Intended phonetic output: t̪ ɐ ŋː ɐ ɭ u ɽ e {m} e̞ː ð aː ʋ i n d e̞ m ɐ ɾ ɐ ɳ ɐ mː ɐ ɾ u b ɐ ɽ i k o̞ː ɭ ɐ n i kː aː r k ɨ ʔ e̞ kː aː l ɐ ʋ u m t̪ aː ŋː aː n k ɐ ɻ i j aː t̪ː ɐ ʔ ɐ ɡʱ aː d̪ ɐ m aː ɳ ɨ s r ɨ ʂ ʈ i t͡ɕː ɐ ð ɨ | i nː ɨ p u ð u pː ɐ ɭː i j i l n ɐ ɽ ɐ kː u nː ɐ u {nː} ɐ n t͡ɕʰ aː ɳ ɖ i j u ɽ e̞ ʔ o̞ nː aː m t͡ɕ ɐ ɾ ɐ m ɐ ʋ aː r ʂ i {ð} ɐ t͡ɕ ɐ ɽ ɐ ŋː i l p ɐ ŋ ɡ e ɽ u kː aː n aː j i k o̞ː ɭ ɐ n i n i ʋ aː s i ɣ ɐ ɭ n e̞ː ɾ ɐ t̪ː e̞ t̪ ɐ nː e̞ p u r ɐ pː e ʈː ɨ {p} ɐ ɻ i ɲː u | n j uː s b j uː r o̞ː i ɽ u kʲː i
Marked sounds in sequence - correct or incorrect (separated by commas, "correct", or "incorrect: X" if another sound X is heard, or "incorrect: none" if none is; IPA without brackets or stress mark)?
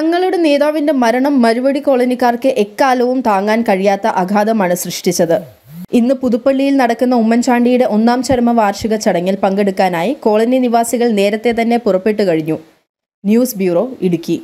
incorrect: n, incorrect: mː, incorrect: ɣ, incorrect: k